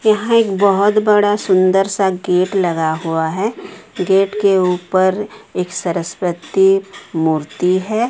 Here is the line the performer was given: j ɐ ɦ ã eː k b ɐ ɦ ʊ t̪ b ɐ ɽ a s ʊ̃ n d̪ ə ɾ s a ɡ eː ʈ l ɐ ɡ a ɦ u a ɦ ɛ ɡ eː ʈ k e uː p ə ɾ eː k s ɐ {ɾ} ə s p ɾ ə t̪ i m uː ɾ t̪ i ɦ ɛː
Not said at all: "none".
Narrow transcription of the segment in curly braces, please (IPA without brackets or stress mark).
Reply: ɾ